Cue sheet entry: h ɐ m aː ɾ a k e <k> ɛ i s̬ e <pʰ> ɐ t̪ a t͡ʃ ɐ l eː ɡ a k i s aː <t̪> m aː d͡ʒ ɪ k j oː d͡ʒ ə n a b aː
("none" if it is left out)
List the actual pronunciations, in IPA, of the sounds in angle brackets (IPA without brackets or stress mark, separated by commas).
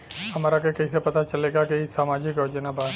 k, p, none